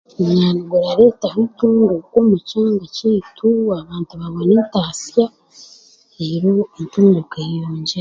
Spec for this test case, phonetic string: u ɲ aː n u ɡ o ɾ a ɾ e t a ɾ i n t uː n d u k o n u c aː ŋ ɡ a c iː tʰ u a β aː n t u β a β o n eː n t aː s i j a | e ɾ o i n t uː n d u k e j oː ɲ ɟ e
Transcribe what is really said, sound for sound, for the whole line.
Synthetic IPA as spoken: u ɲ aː n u ɡ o ɾ a ɾ e t a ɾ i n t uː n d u k o m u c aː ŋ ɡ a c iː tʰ u a β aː n t u β a β o n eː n t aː s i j a | e ɾ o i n t uː n d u k e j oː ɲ ɟ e